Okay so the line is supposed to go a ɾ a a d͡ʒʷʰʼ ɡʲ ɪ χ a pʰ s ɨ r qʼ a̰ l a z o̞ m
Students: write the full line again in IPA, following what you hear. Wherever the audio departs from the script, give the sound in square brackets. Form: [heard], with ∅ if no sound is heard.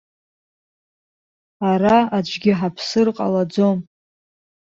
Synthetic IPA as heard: a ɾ a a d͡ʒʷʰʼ ɡʲ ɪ [ħ] a pʰ s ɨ r qʼ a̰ l a [d͡z] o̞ m